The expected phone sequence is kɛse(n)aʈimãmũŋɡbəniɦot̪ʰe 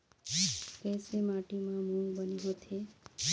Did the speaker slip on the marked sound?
yes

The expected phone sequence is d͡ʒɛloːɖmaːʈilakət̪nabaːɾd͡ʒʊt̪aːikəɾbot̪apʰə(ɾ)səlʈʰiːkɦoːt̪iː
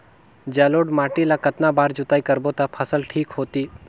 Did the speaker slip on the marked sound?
yes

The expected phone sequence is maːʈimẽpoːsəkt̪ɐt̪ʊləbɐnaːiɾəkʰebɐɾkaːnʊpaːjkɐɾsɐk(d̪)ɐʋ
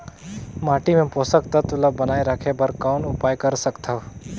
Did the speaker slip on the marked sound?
yes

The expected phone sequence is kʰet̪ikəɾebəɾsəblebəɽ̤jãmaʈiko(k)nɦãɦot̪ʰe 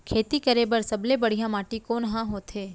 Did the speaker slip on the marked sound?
yes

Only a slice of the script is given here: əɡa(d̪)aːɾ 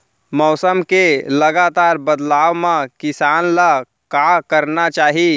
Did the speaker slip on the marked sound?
yes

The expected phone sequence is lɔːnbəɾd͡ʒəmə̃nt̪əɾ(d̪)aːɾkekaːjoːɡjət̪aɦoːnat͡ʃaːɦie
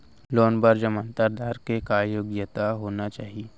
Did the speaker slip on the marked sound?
no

